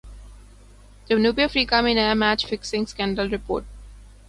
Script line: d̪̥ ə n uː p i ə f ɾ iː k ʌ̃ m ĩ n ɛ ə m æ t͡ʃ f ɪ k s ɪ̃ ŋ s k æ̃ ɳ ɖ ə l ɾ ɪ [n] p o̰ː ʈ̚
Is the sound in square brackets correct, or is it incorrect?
incorrect